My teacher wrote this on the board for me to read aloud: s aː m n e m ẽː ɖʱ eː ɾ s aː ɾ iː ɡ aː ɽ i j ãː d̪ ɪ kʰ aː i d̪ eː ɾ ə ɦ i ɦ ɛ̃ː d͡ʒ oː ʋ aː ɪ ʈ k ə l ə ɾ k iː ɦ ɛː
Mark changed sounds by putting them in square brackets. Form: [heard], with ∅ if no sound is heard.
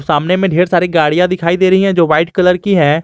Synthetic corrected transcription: s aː m n e m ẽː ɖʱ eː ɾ s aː ɾ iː ɡ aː ɽ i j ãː d̪ ɪ kʰ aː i d̪ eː ɾ ə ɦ i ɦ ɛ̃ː d͡ʒ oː ʋ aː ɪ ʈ k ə l ə ɾ k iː ɦ ɛː